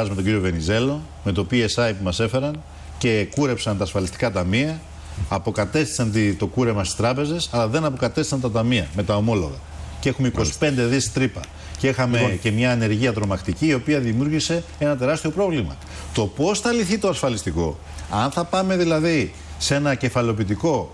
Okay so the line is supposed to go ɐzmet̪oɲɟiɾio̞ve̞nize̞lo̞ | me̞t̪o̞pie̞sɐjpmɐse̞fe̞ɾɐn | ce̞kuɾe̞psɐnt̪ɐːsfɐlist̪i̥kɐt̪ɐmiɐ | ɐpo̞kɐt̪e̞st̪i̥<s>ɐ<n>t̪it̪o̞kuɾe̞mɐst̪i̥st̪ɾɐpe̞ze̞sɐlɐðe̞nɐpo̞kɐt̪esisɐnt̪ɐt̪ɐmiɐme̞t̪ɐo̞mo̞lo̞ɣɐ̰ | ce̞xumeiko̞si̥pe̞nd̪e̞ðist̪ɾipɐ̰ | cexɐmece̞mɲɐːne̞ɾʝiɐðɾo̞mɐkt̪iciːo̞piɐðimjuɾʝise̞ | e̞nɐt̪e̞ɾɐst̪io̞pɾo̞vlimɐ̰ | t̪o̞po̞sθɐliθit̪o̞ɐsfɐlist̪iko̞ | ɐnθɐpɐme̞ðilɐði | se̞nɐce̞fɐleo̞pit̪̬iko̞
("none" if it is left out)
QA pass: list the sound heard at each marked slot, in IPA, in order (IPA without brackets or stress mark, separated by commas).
s, n